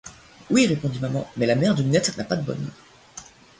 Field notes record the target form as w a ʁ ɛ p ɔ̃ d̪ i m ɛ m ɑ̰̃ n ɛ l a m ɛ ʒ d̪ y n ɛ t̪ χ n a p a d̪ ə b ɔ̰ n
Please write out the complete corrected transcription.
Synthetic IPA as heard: w i ʁ e p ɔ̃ d̪ i m a m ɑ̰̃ m ɛ l a m ɛ ʁ d̪ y n ɛ t̪ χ n a p a d̪ ə b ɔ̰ n